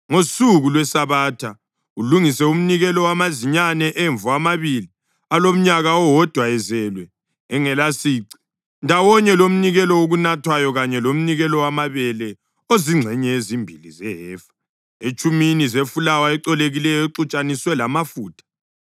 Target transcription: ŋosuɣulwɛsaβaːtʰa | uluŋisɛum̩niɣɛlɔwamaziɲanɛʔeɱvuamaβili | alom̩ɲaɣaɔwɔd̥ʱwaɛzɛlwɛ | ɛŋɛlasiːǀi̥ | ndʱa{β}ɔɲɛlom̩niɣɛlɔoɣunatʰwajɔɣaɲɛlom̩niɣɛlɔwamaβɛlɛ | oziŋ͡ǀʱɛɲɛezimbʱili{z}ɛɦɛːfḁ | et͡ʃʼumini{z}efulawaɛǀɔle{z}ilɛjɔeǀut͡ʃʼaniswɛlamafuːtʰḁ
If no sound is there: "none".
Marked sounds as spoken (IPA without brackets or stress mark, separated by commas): w, z, z, ɣ